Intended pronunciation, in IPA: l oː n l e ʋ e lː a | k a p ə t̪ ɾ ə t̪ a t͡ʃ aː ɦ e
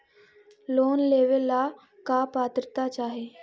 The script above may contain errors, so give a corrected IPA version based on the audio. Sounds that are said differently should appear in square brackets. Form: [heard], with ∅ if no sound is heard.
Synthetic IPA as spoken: l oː n l e ʋ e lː a | k a p [a] t̪ ɾ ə t̪ a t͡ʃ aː ɦ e